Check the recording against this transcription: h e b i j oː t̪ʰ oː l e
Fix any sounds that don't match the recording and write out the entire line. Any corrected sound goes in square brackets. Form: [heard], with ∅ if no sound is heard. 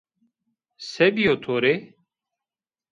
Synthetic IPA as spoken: [s] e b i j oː t̪ʰ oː [ɾ] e

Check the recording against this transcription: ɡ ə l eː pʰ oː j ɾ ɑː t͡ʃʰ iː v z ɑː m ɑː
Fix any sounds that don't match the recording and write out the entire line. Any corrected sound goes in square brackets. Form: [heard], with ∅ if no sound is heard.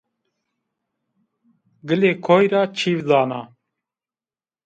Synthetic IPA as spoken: ɡ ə l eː [kʰ] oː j ɾ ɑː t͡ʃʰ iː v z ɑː [n] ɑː

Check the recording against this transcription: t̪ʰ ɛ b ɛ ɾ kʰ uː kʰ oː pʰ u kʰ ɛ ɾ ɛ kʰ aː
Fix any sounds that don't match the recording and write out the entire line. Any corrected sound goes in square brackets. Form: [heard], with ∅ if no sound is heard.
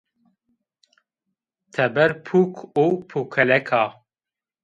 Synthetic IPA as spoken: t̪ʰ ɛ b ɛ ɾ [pʰ] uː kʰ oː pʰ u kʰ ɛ [l] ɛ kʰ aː

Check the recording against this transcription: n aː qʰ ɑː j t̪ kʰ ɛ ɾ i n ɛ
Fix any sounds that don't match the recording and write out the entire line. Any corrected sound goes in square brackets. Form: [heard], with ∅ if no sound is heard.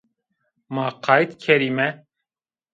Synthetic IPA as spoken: [m] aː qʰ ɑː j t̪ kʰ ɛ ɾ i [m] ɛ

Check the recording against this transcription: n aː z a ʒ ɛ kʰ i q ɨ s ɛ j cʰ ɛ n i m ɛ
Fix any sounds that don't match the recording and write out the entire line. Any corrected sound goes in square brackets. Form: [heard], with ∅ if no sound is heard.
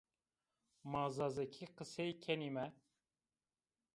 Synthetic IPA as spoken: [m] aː z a [z] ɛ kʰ i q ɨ s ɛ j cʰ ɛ n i m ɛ

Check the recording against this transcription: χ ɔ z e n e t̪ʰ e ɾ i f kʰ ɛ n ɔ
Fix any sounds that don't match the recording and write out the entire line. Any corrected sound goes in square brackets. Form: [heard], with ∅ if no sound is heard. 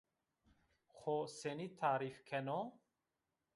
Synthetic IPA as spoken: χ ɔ [s] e n [i] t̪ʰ [a] ɾ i f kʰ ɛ n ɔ

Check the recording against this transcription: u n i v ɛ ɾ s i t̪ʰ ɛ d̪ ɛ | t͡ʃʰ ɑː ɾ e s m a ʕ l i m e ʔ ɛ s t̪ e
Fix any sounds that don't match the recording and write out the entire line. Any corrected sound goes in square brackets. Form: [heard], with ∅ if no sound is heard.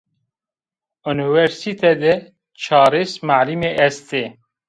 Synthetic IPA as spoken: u n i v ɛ ɾ s i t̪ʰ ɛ d̪ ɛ | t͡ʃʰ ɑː ɾ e s m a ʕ l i m e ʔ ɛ s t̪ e

